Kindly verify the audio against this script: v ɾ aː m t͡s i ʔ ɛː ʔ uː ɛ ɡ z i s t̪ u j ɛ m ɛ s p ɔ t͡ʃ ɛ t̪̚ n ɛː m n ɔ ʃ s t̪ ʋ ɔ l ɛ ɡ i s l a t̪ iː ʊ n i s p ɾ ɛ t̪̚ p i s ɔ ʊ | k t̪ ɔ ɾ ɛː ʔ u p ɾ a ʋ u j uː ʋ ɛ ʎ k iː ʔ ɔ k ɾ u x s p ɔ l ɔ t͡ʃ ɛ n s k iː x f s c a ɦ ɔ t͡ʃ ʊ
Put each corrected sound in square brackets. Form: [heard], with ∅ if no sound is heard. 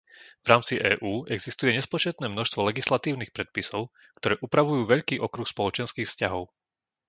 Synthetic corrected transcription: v ɾ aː m t͡s i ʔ ɛː ʔ uː ɛ ɡ z i s t̪ u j ɛ [ɲ] ɛ s p ɔ t͡ʃ ɛ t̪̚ n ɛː m n ɔ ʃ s t̪ ʋ ɔ l ɛ ɡ i s l a t̪ iː ʊ n i [x] p ɾ ɛ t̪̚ p i s ɔ ʊ | k t̪ ɔ ɾ ɛː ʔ u p ɾ a ʋ u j uː ʋ ɛ ʎ k iː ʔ ɔ k ɾ u x s p ɔ l ɔ t͡ʃ ɛ n s k iː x f s c a ɦ ɔ [∅] ʊ